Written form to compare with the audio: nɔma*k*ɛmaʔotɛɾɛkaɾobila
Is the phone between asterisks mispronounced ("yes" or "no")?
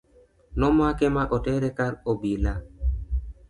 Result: no